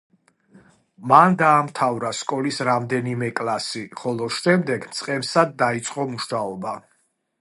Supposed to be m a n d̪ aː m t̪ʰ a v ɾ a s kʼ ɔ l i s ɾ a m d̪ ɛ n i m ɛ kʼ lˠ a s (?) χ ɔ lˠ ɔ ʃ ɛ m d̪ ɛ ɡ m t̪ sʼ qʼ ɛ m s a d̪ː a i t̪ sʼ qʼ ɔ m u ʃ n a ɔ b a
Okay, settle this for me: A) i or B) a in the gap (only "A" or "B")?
A